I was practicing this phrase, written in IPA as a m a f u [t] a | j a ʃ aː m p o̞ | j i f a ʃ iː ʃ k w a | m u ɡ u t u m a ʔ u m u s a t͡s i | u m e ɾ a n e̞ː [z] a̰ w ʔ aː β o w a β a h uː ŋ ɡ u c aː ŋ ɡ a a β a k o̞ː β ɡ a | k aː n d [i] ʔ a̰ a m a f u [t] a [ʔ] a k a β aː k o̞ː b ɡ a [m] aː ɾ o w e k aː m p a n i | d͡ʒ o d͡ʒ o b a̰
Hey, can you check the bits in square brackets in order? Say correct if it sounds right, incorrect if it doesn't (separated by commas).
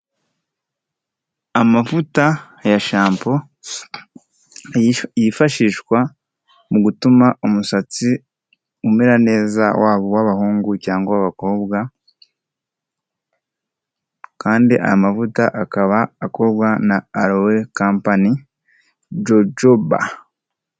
correct, correct, correct, correct, correct, incorrect